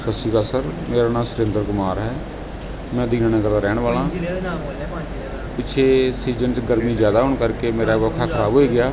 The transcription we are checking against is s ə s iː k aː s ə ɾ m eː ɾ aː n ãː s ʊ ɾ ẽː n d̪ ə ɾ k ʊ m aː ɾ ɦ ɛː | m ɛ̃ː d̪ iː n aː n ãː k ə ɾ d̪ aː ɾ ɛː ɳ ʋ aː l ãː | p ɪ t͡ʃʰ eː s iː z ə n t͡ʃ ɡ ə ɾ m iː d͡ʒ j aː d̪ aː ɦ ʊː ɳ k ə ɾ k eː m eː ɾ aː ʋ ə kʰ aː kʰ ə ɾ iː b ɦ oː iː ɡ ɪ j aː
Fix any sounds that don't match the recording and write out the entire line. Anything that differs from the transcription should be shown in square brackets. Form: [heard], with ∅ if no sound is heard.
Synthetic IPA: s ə s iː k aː s ə ɾ m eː ɾ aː n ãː s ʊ ɾ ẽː n d̪ ə ɾ k ʊ m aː ɾ ɦ ɛː | m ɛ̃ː d̪ iː n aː n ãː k ə ɾ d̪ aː ɾ ɛː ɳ ʋ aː l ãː | p ɪ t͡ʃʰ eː s iː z ə n t͡ʃ ɡ ə ɾ m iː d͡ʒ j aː d̪ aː ɦ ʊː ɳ k ə ɾ k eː m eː ɾ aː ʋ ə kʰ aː kʰ ə ɾ [aː] b ɦ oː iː ɡ ɪ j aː